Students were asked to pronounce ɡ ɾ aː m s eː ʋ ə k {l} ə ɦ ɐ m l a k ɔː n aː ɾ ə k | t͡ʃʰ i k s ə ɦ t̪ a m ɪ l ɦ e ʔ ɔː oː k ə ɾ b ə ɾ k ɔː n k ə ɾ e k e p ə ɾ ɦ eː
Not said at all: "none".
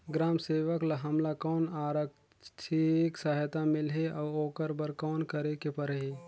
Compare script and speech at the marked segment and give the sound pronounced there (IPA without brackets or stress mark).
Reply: l